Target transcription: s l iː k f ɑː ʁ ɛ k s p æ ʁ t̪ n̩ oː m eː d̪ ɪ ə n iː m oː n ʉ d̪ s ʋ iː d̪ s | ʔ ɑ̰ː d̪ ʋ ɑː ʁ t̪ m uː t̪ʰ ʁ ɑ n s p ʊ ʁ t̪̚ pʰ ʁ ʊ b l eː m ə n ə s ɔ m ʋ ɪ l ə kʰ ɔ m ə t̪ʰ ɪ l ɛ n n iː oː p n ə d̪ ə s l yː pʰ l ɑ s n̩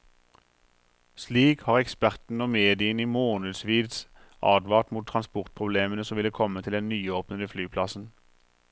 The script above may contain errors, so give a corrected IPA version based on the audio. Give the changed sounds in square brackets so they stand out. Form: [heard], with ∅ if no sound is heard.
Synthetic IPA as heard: s l iː k [h] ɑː ʁ ɛ k s p æ ʁ t̪ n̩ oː m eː d̪ ɪ ə n iː m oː n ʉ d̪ s ʋ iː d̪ s | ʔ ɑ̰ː d̪ ʋ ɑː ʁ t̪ m uː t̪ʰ ʁ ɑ n s p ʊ ʁ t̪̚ pʰ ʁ ʊ b l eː m ə n ə s ɔ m ʋ ɪ l ə kʰ ɔ m ə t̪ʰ ɪ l ɛ n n [yː] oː p n ə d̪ ə [f] l yː pʰ l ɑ s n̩